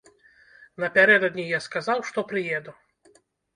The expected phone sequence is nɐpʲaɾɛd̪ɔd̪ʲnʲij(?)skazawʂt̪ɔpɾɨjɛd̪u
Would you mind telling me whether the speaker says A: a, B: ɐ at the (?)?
A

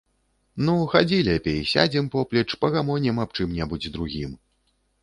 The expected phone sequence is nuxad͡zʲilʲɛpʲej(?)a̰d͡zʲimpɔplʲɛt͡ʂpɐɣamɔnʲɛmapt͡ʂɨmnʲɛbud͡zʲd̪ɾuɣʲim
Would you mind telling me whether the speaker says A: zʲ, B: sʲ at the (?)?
B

